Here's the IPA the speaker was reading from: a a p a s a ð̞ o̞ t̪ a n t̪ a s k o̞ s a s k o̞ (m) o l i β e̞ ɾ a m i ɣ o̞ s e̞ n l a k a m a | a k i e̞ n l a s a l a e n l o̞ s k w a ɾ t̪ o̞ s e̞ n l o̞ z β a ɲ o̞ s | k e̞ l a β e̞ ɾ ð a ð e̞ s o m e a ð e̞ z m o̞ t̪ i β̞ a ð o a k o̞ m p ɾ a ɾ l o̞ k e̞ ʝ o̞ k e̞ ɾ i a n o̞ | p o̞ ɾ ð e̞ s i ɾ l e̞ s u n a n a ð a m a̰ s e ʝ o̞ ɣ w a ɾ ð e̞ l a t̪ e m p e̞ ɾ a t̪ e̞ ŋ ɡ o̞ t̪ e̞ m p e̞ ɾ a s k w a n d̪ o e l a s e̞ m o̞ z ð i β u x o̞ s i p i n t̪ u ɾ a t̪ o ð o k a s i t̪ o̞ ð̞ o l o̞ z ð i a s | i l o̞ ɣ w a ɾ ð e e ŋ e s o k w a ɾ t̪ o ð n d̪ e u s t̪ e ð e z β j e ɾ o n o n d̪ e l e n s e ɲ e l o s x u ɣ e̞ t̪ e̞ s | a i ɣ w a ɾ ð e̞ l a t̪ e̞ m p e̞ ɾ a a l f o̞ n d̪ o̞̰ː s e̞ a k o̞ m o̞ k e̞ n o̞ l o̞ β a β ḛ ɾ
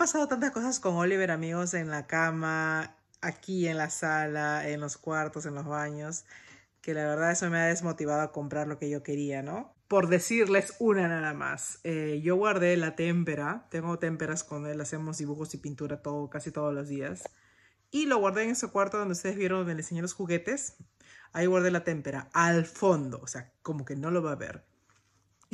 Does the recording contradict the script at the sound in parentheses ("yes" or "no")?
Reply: yes